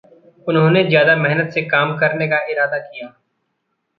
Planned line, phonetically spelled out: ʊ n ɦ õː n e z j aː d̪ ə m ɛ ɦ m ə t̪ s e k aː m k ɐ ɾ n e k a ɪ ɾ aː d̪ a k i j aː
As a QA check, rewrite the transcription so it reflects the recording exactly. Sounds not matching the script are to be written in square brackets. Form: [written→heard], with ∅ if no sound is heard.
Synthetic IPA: ʊ n ɦ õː n e z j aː d̪ [ə→a] m ɛ ɦ [m→n] ə t̪ s e k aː m k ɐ ɾ n e k a ɪ ɾ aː d̪ a k i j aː

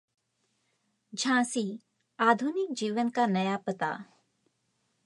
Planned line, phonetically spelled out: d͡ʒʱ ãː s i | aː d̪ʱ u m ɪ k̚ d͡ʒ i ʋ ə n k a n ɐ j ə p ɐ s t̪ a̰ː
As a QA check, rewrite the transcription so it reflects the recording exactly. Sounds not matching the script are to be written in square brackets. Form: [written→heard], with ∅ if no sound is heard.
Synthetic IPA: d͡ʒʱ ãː s i | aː d̪ʱ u [m→n] ɪ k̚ d͡ʒ [i→iː] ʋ ə n k a n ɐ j [ə→a] p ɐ [s→∅] t̪ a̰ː

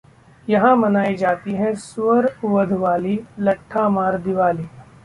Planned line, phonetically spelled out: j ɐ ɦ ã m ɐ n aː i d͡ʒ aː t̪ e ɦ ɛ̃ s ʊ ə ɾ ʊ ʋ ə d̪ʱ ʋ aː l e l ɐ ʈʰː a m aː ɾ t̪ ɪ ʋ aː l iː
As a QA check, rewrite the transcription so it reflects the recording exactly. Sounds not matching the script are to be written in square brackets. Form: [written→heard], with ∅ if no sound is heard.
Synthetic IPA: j ɐ ɦ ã m ɐ n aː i d͡ʒ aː t̪ [e→i] ɦ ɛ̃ s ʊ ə ɾ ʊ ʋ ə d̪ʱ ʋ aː l [e→i] l ɐ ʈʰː a m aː ɾ [t̪→d̪] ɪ ʋ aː l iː

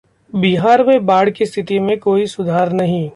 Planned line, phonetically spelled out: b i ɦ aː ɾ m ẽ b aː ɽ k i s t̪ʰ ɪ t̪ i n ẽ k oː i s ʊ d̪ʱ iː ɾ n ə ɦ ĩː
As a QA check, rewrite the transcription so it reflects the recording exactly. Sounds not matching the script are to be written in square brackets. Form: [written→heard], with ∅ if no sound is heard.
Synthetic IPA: b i ɦ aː ɾ m ẽ b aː ɽ k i s t̪ʰ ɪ t̪ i [n→m] ẽ k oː i s ʊ d̪ʱ [iː→aː] ɾ n [ə→ɐ] ɦ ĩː

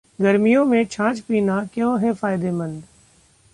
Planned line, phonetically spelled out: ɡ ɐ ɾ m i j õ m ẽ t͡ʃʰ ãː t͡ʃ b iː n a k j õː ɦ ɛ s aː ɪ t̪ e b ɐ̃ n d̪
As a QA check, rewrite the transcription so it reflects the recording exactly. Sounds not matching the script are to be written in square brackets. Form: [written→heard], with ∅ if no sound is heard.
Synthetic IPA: ɡ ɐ ɾ m i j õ m ẽ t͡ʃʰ ãː t͡ʃ [b→p] iː n a k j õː ɦ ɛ [s→f] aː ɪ [t̪→d̪] e [b→m] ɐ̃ n d̪

